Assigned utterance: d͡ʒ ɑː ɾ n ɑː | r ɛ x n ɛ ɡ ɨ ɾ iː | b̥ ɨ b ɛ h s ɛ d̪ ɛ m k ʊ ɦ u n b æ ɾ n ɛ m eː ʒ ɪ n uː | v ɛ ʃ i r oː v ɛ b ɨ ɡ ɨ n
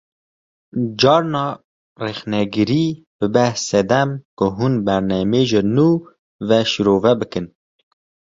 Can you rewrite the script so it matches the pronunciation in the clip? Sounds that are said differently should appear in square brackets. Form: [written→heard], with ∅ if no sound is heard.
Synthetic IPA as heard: d͡ʒ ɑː ɾ n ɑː | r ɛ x n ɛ ɡ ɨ ɾ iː | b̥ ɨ b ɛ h s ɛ d̪ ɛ m k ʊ ɦ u n b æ ɾ n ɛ m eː ʒ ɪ n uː | v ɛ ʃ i [r→ɾ] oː v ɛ b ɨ [ɡ→k] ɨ n